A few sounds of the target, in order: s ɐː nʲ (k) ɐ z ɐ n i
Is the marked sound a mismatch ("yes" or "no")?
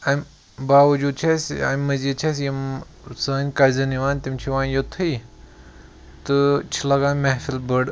no